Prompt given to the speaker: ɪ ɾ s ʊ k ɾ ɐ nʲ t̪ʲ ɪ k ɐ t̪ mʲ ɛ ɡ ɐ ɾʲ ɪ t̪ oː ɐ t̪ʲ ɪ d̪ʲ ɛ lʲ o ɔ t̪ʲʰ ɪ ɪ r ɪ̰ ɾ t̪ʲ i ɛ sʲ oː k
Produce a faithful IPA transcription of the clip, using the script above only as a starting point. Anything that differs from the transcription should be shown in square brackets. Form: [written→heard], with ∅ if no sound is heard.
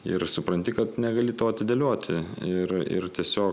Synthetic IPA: ɪ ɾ s ʊ [k→p] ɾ ɐ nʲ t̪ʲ ɪ k ɐ t̪ [mʲ→nʲ] ɛ ɡ ɐ [ɾʲ→lʲ] ɪ t̪ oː ɐ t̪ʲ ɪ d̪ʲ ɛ lʲ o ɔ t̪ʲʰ ɪ ɪ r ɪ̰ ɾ t̪ʲ i ɛ sʲ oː k